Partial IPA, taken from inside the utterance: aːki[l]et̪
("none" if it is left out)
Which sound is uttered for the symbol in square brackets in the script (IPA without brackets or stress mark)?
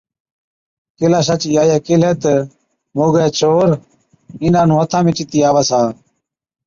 l